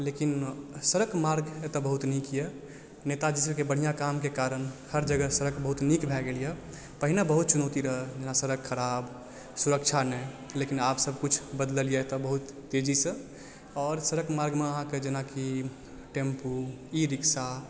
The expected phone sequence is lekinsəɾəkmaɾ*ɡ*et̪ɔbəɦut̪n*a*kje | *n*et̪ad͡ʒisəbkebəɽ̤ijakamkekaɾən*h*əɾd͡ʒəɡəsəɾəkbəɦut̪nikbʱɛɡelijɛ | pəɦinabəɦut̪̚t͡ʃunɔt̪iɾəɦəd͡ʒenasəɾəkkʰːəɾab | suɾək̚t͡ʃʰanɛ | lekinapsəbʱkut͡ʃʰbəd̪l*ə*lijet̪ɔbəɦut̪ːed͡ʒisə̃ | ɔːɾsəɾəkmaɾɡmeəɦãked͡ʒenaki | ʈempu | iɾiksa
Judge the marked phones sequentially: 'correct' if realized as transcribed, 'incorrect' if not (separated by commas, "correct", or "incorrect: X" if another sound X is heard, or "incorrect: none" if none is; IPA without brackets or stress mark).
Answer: correct, incorrect: i, correct, correct, correct